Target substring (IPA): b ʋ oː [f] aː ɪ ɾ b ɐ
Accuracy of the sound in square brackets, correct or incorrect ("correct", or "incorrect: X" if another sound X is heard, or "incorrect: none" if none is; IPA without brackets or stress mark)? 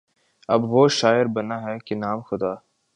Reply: incorrect: ʃ